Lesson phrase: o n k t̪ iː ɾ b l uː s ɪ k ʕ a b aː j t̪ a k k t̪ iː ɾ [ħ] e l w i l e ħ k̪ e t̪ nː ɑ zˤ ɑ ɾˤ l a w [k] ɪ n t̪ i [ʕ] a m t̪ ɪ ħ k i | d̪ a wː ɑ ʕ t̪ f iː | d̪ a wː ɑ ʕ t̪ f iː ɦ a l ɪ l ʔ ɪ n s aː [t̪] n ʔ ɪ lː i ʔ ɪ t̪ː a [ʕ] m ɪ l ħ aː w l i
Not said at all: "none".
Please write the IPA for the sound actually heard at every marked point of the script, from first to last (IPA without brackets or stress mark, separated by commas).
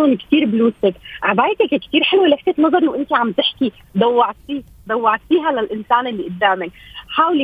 ħ, ʔ, ʕ, none, ʕ